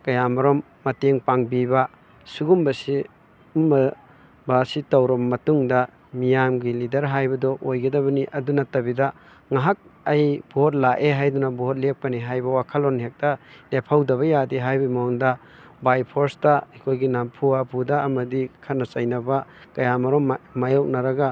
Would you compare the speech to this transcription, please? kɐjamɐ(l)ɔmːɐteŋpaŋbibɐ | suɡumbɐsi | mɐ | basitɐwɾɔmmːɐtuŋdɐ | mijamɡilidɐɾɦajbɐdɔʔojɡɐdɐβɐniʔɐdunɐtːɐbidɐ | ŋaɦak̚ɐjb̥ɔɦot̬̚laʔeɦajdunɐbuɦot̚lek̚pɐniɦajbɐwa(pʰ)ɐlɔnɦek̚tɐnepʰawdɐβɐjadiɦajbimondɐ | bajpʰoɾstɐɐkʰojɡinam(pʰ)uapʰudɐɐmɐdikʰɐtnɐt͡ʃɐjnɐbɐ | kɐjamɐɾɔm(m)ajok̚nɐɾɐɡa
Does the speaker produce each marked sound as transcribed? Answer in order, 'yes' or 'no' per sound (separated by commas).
no, no, yes, yes